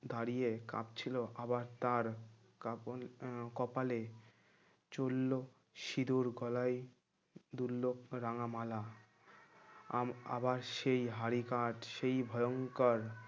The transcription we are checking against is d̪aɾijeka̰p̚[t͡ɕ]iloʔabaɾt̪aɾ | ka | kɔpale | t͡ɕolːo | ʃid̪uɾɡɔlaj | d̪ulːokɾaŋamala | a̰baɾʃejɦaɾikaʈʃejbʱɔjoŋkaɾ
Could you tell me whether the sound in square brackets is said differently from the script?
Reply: yes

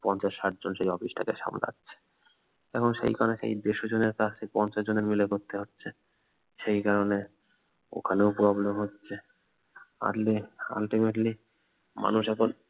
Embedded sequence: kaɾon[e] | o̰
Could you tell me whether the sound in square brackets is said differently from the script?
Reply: no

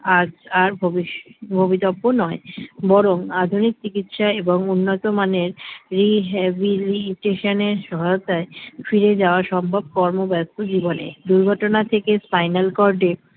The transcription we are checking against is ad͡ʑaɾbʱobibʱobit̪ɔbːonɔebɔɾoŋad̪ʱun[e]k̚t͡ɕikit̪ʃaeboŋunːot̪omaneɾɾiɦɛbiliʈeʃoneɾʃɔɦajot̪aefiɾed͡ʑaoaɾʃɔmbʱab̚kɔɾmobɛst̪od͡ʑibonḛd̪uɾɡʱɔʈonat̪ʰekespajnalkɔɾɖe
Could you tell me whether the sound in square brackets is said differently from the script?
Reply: yes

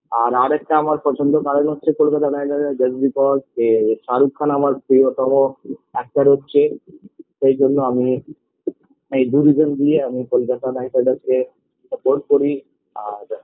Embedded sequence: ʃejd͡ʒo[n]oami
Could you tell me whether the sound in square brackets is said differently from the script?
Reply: yes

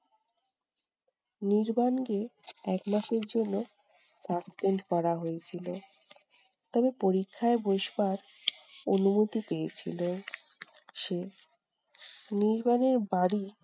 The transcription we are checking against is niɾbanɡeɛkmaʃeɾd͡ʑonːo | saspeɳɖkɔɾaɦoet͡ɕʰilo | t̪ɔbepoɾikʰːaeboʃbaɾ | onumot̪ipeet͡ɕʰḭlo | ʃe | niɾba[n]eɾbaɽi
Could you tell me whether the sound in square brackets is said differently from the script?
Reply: no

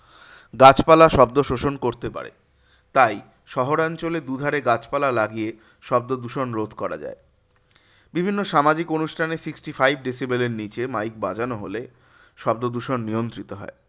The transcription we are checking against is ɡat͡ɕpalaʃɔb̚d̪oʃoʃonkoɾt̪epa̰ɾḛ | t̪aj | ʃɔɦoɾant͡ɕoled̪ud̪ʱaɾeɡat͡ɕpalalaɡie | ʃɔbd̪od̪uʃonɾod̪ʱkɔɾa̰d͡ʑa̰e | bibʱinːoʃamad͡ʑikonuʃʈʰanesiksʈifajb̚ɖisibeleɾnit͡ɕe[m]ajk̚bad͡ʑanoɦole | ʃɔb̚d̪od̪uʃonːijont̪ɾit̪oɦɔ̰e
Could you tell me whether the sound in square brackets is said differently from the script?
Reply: no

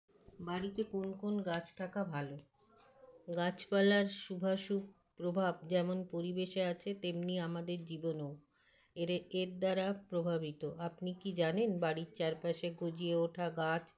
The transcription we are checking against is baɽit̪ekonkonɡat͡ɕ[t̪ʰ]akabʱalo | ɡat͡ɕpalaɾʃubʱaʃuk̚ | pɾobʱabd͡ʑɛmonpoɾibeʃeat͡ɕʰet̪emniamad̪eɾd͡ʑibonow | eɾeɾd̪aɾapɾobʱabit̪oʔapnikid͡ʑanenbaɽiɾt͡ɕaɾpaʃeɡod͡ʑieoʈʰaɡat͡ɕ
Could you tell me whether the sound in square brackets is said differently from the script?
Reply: no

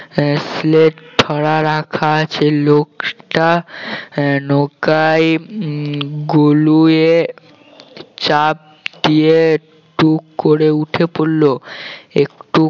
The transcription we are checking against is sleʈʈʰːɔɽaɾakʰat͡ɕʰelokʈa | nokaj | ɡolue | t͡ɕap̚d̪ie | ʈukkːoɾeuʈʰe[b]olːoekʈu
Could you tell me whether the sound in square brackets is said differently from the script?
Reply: yes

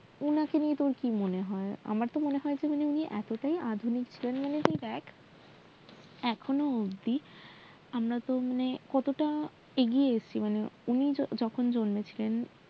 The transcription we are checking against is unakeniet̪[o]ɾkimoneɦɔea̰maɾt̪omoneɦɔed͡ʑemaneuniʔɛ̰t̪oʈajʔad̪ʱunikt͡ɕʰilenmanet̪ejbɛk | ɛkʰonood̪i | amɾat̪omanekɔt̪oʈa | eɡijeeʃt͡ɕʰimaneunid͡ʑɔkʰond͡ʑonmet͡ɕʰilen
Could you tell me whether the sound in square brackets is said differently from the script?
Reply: no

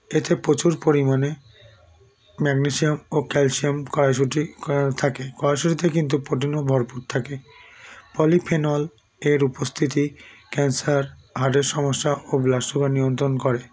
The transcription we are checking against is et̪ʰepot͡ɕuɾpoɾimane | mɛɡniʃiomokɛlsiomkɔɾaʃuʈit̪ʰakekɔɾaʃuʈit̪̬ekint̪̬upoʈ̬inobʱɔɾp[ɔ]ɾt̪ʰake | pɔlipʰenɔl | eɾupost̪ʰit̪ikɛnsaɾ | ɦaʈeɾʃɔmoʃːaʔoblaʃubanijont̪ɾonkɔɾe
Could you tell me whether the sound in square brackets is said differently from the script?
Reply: yes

